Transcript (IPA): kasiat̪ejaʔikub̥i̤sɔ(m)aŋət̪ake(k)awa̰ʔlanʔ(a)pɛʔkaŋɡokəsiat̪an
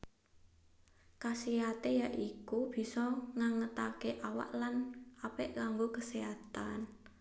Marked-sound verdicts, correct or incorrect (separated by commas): incorrect, incorrect, correct